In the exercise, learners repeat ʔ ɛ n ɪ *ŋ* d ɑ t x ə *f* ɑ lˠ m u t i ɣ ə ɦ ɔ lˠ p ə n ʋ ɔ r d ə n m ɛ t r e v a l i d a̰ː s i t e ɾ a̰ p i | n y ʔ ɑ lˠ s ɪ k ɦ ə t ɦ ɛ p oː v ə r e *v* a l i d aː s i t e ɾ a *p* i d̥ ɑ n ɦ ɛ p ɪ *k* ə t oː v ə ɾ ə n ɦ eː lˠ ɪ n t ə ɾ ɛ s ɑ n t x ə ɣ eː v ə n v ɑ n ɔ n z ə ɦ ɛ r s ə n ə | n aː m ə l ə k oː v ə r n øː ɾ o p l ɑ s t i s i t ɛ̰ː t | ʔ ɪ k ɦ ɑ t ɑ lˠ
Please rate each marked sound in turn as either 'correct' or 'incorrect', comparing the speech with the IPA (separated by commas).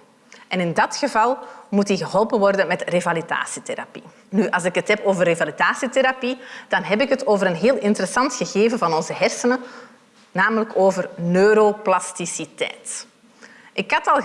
incorrect, incorrect, correct, correct, correct